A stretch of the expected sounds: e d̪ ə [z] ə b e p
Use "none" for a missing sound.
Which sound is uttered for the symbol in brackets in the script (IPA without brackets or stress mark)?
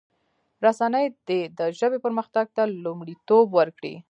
ʒ